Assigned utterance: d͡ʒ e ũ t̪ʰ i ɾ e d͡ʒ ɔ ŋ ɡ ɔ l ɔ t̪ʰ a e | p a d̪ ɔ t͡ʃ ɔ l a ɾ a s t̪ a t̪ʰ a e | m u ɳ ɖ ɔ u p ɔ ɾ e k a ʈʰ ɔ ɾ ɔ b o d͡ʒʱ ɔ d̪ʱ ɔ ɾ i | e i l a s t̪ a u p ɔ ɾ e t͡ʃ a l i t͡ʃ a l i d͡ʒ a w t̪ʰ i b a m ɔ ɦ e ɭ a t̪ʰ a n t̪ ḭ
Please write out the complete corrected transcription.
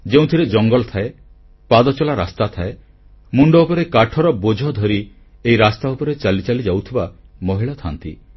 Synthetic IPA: d͡ʒ e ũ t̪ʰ i ɾ e d͡ʒ ɔ ŋ ɡ ɔ l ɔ t̪ʰ a e | p a d̪ ɔ t͡ʃ ɔ l a ɾ a s t̪ a t̪ʰ a e | m u ɳ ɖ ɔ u p ɔ ɾ e k a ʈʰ ɔ ɾ ɔ b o d͡ʒʱ ɔ d̪ʱ ɔ ɾ i | e i ɾ a s t̪ a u p ɔ ɾ e t͡ʃ a l i t͡ʃ a l i d͡ʒ a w t̪ʰ i b a m ɔ ɦ i ɭ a t̪ʰ a n t̪ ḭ